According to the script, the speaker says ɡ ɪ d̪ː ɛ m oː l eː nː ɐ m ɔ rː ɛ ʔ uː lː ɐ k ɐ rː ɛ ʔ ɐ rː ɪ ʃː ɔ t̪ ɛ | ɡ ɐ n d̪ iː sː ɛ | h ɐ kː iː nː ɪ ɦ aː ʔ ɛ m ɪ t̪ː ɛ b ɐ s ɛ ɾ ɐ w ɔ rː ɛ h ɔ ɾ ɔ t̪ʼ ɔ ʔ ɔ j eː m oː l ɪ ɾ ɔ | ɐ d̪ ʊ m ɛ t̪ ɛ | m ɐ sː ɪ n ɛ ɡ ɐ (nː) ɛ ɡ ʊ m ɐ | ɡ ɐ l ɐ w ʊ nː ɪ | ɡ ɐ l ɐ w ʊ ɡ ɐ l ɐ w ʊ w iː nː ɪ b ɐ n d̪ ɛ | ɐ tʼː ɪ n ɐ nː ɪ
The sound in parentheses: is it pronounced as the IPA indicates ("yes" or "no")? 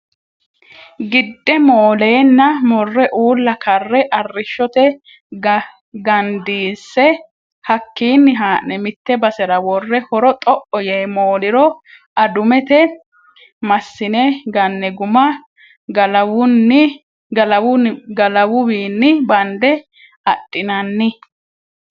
yes